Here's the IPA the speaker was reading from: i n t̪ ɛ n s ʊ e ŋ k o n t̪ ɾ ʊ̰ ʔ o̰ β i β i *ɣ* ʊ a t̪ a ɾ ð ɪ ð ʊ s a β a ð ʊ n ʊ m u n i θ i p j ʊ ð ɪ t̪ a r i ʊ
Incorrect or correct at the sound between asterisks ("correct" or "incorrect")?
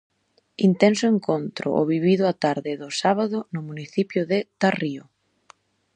incorrect